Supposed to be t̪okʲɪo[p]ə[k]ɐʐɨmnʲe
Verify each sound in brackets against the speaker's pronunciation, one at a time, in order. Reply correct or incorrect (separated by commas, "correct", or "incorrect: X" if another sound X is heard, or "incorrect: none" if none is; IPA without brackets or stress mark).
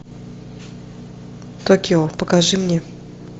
correct, correct